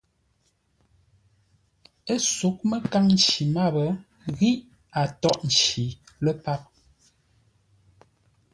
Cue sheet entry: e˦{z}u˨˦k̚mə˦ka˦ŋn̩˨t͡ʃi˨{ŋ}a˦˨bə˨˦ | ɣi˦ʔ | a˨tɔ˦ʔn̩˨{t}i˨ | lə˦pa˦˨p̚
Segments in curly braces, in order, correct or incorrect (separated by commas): incorrect, incorrect, incorrect